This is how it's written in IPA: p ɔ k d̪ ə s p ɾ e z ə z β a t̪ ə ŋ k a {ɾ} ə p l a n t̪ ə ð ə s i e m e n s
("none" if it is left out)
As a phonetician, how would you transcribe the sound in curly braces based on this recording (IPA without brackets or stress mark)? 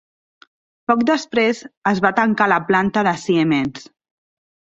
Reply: l